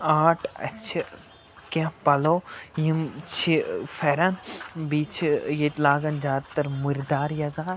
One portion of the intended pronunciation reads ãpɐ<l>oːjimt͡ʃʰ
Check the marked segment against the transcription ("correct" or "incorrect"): correct